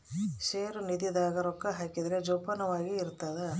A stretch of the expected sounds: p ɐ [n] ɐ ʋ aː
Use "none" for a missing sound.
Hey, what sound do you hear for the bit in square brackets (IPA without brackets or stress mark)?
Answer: n